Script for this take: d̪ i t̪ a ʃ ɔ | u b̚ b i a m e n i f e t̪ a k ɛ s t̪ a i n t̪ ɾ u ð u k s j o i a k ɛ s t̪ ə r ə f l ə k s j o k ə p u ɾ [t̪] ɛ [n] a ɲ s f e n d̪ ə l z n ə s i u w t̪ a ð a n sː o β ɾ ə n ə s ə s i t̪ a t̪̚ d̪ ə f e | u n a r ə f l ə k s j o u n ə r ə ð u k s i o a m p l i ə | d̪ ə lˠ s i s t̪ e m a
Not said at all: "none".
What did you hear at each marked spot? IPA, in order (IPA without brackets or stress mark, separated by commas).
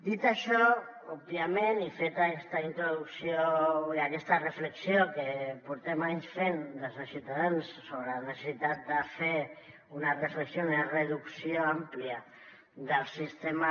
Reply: t̪, m